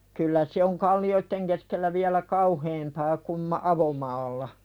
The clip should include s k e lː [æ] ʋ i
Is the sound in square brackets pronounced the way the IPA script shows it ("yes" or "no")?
yes